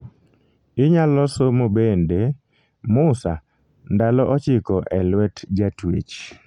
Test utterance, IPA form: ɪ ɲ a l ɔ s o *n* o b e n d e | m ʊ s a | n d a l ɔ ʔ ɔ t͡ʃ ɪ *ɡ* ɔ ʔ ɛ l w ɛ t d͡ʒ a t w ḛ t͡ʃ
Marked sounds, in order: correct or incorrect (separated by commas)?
incorrect, incorrect